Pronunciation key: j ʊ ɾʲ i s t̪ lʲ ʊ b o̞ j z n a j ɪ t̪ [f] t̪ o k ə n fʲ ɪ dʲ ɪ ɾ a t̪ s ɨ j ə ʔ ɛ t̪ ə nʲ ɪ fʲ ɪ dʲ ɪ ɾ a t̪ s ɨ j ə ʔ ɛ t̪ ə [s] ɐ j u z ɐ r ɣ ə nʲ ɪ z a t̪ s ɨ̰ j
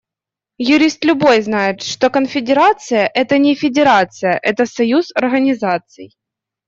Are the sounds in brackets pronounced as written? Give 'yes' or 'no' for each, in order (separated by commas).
no, yes